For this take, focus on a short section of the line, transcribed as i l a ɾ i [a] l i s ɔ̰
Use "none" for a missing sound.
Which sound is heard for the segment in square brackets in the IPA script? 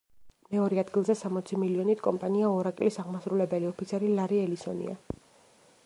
ɛ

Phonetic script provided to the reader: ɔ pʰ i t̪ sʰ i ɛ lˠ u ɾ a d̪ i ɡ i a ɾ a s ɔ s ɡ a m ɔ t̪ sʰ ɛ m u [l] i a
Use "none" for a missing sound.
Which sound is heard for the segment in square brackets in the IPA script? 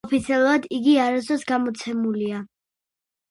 l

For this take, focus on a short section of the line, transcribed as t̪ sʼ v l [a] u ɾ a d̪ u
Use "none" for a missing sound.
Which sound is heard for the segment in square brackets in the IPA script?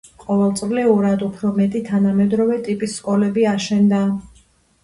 ɛ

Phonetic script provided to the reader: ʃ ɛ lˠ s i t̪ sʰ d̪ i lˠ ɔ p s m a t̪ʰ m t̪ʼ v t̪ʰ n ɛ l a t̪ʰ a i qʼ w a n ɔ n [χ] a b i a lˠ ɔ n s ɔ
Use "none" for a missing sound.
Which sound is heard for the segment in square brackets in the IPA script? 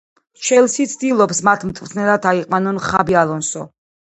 χ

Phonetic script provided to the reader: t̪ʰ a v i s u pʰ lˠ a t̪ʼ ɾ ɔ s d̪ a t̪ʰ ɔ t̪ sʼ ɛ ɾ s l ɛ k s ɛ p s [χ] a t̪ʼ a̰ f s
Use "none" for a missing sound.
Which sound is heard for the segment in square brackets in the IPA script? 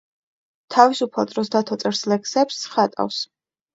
χ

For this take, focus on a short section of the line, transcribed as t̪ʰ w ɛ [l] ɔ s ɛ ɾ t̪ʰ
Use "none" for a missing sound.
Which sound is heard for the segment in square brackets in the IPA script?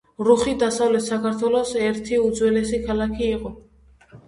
l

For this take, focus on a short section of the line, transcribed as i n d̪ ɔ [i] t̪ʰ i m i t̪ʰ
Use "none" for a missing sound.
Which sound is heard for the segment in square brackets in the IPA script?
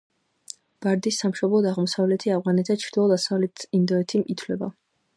ɛ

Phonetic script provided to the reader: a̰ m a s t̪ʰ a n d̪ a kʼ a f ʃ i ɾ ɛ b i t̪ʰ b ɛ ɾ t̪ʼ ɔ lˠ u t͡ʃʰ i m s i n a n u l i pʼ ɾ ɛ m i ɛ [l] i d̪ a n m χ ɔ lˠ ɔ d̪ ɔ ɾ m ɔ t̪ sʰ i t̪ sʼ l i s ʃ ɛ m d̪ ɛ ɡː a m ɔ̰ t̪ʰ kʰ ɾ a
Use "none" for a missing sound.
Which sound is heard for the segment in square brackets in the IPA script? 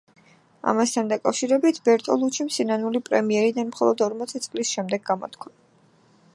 ɾ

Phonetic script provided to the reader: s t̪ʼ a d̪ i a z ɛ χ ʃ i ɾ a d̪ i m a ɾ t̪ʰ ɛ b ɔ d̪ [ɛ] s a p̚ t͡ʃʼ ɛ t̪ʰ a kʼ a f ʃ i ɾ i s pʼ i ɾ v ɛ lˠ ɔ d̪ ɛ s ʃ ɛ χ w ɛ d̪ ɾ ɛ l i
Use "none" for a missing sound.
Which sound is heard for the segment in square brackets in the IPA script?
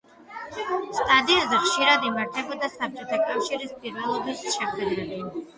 a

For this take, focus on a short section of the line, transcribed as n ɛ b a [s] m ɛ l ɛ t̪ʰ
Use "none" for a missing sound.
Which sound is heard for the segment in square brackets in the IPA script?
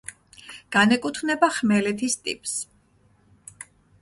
χ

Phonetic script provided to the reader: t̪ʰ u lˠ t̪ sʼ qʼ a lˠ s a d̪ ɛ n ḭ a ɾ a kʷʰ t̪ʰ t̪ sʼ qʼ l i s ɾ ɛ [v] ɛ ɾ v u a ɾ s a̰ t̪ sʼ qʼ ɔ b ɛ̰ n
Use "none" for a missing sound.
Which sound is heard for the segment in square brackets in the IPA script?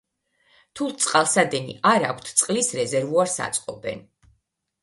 z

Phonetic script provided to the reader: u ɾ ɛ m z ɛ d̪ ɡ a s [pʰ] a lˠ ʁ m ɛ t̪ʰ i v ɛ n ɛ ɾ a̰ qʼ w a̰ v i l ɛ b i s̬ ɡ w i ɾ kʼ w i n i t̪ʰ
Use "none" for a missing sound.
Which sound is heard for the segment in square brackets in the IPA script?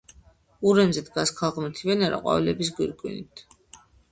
kʰ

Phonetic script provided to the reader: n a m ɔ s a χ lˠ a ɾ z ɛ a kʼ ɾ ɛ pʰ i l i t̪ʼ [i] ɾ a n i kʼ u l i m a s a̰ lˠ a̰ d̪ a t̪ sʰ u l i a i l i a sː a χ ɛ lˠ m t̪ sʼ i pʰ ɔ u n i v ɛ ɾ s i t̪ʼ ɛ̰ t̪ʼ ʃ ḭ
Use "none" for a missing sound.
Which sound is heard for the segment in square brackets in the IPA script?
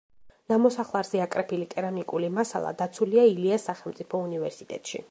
ɛ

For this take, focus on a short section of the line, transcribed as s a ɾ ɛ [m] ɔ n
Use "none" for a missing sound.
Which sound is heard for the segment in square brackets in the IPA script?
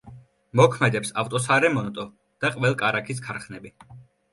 m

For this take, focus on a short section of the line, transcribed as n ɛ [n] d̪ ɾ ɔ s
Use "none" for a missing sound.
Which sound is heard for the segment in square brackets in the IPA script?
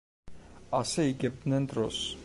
n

